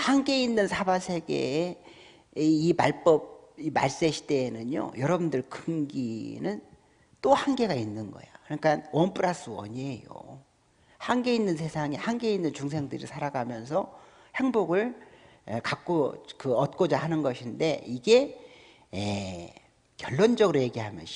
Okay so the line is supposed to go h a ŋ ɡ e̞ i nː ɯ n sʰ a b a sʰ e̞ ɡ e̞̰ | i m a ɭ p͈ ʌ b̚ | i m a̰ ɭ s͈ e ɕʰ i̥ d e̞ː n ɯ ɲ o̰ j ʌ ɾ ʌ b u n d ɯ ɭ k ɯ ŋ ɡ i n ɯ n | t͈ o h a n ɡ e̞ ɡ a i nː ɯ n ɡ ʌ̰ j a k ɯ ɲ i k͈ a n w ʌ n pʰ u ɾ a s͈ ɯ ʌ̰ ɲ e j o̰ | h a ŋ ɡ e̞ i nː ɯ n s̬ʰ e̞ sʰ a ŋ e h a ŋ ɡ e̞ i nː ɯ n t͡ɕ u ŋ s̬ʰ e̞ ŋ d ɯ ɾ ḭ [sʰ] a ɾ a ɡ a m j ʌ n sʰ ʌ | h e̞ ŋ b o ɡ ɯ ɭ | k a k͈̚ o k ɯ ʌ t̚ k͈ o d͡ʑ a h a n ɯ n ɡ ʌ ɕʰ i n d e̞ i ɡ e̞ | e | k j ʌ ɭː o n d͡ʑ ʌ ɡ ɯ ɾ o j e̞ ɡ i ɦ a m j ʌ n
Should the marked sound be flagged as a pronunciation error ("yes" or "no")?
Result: no